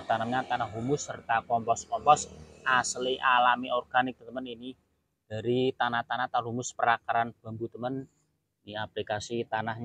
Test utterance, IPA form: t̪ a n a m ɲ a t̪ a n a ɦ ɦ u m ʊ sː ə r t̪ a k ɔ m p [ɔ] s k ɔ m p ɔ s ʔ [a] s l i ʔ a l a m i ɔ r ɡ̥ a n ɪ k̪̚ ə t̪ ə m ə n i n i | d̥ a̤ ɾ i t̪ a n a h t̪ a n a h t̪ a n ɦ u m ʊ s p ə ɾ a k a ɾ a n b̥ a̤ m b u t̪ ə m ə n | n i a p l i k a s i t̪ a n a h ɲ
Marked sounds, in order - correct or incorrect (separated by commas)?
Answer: correct, correct